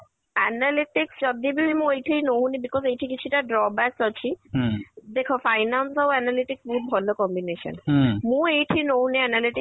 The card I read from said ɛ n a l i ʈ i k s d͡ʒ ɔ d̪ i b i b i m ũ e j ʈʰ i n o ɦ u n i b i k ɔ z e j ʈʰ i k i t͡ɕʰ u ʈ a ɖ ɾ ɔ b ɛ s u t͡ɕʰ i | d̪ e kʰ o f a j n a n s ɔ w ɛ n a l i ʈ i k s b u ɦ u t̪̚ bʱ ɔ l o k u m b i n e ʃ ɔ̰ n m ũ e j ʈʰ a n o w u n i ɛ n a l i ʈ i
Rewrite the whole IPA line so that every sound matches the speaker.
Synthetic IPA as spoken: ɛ n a l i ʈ i k s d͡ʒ ɔ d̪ i b i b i m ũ e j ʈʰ i n o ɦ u n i b i k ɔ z e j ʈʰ i k i t͡ɕʰ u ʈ a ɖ ɾ ɔ b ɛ s ɔ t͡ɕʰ i | d̪ e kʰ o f a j n a n s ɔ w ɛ n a l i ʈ i k s b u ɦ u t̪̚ bʱ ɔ l o k ɔ m b i n e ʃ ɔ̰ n m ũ e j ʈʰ i n o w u n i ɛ n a l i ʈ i

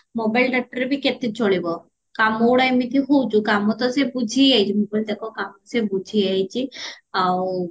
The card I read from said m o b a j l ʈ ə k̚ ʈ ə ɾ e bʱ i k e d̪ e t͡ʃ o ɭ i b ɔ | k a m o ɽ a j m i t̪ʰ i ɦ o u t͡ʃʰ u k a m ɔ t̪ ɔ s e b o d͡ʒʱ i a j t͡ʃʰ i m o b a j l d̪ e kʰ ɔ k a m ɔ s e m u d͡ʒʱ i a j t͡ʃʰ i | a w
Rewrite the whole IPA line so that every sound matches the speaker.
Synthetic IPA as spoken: m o b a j l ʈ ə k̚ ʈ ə ɾ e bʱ i k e t̪ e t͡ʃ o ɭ i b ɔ | k a m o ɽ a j m i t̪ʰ i ɦ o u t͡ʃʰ u k a m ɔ t̪ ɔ s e b u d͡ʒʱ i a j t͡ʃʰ i m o b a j l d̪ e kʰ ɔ k a m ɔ s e b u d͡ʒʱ i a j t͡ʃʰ i | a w

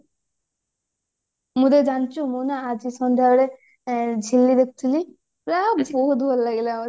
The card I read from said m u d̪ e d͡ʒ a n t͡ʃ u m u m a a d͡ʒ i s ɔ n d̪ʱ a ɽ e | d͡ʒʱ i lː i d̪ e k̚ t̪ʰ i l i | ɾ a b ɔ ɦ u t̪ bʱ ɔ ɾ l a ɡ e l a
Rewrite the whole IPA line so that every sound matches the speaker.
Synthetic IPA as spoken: m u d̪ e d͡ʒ a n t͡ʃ u m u n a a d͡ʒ i s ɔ n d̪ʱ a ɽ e | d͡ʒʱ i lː i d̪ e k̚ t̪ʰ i l i | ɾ a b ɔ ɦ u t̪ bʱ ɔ l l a ɡ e l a

